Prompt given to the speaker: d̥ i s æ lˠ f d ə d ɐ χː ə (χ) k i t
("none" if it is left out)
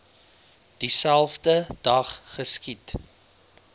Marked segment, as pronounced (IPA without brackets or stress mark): s